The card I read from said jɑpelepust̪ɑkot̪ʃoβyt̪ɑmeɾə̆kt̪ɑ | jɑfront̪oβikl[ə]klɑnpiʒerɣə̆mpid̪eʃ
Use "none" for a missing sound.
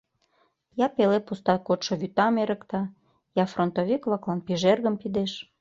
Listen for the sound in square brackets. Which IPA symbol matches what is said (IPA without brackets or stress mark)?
ɑ